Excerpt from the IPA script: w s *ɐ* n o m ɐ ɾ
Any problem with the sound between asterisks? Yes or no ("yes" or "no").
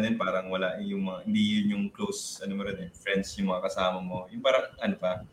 no